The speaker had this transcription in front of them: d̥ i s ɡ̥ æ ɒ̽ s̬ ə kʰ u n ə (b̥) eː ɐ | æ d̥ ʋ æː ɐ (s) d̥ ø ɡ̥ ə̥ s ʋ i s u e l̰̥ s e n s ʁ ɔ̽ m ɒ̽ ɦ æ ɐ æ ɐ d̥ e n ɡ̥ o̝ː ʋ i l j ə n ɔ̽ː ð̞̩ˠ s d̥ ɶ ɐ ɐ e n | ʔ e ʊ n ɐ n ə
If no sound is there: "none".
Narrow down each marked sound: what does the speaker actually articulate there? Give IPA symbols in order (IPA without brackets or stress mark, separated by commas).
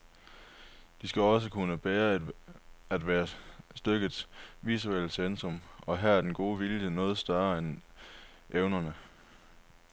b̥, s